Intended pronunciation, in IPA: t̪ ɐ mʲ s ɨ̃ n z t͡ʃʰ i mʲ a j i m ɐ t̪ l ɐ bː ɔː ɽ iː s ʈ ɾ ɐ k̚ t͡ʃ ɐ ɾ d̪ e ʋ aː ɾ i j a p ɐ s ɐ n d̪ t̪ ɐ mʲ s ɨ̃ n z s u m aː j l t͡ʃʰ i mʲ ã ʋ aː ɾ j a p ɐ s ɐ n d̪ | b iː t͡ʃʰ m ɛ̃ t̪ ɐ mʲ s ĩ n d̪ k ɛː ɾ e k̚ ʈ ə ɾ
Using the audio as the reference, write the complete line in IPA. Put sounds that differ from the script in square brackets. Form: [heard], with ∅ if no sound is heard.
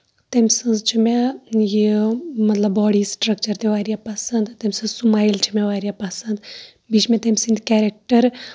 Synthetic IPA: t̪ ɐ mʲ s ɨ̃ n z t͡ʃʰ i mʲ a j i m ɐ t̪ l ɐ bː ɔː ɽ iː s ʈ ɾ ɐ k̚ t͡ʃ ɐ ɾ [t̪] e ʋ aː ɾ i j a p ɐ s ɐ n d̪ t̪ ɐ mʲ s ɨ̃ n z s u m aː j l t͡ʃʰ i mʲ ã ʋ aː ɾ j a p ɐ s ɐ n d̪ | b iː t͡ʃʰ m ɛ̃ t̪ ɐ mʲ s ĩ n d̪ k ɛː ɾ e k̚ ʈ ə ɾ